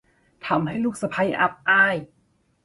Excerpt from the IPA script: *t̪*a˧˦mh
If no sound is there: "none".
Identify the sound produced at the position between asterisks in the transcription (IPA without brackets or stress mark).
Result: t̪ʰ